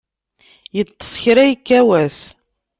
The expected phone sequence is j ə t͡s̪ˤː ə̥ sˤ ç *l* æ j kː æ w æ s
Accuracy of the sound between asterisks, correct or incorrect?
incorrect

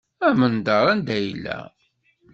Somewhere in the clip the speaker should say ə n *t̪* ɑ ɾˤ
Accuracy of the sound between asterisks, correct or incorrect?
incorrect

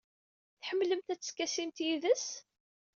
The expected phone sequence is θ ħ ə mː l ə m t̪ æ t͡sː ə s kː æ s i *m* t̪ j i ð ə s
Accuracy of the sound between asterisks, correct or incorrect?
correct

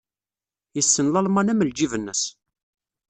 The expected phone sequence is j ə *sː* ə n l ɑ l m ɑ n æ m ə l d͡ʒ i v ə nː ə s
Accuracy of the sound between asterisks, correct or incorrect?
correct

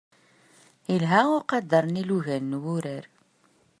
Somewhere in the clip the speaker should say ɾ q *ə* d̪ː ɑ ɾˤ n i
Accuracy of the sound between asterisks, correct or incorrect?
incorrect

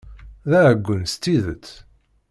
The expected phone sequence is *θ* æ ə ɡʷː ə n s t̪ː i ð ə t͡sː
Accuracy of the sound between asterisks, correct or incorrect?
incorrect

